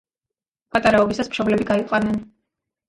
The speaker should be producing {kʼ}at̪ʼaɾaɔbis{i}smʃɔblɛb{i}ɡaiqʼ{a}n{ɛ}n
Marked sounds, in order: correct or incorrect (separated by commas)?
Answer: incorrect, incorrect, correct, correct, correct